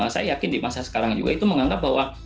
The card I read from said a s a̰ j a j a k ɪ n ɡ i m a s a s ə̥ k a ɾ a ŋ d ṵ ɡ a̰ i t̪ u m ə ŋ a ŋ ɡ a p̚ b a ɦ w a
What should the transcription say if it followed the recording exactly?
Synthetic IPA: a s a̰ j a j a k ɪ n d i m a s a s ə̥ k a ɾ a ŋ d͡ʒ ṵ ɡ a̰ i t̪ u m ə ŋ a ŋ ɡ a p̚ b a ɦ w a